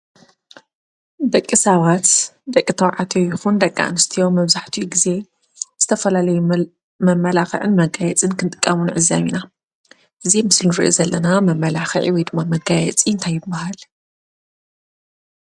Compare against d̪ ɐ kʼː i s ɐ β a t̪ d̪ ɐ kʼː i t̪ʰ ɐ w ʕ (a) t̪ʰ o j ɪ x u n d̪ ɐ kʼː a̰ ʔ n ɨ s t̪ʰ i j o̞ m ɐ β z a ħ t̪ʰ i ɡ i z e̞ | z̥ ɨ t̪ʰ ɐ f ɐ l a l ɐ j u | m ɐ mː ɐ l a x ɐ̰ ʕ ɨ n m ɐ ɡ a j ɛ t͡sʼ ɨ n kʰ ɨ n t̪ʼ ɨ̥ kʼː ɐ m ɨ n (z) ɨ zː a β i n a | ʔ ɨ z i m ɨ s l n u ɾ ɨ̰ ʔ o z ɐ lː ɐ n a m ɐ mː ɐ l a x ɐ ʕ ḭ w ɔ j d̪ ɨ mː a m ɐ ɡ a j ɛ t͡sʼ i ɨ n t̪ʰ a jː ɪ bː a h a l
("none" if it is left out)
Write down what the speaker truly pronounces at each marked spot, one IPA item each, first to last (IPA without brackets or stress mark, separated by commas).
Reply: a, ʕ